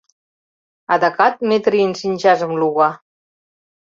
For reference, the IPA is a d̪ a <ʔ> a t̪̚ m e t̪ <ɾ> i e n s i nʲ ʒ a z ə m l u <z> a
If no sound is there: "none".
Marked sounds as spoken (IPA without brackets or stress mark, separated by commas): k, ɾ, ɣ